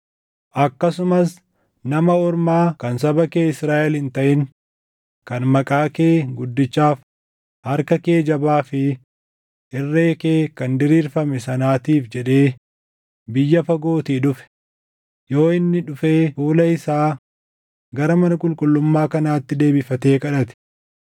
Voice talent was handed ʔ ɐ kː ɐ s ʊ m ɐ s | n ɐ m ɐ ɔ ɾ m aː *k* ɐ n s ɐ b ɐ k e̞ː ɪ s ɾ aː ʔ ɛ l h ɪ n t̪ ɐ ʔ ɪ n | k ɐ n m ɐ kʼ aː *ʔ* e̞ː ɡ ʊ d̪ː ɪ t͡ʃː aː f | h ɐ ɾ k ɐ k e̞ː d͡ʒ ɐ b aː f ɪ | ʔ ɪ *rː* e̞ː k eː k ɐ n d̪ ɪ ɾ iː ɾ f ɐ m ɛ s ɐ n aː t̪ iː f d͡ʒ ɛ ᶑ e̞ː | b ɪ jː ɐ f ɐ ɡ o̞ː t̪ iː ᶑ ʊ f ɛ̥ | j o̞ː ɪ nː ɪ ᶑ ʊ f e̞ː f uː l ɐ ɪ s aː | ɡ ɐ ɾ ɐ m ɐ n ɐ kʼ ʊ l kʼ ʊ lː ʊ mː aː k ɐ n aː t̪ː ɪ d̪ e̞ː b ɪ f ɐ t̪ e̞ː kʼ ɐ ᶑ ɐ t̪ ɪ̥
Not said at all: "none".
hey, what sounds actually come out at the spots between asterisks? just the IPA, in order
k, k, rː

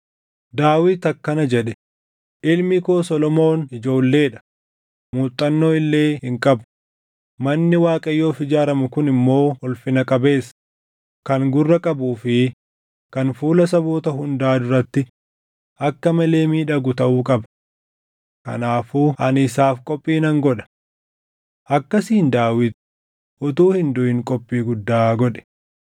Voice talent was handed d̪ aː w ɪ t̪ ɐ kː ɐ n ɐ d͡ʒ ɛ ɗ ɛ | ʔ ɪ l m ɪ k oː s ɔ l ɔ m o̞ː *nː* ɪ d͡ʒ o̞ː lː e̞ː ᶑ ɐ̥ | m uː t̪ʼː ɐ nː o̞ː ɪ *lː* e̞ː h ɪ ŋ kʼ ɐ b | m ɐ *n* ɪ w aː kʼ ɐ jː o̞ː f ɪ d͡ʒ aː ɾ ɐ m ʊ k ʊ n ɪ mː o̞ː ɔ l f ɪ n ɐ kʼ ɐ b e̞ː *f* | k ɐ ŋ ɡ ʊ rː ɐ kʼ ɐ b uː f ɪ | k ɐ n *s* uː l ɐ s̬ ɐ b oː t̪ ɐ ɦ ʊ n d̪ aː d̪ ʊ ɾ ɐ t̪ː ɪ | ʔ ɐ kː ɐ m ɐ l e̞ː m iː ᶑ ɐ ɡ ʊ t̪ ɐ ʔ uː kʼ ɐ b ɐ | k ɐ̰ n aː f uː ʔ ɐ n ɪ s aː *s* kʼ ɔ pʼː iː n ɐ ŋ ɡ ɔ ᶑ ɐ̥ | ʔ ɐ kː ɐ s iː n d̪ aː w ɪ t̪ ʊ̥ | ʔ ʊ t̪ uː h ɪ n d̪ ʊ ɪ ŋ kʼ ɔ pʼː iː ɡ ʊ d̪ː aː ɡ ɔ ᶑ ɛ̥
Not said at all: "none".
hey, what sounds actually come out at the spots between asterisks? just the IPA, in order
n, lː, nː, s, f, f

